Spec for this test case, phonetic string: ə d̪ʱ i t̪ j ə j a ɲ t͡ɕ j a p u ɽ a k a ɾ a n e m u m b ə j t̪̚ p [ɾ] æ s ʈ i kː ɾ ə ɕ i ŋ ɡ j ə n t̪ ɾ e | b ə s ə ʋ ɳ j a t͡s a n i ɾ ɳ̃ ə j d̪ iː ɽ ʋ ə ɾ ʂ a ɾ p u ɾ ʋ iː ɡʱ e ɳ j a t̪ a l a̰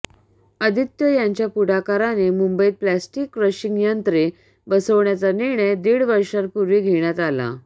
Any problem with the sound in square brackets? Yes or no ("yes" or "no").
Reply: yes